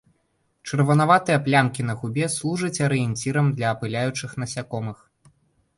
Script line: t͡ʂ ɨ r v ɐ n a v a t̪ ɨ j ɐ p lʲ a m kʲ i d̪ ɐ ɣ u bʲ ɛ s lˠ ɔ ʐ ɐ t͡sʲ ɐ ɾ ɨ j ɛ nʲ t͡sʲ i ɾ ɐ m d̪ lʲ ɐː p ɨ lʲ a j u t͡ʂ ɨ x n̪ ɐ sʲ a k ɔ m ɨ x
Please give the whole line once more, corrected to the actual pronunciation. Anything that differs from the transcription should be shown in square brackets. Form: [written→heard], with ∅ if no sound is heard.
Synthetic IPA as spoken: t͡ʂ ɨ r v ɐ n a v a t̪ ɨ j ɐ p lʲ a m kʲ i [d̪→n̪] ɐ ɣ u bʲ ɛ s lˠ [ɔ→u] ʐ ɐ t͡sʲ ɐ ɾ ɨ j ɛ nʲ t͡sʲ i ɾ ɐ m d̪ lʲ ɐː p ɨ lʲ a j u t͡ʂ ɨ x n̪ ɐ sʲ a k ɔ m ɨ x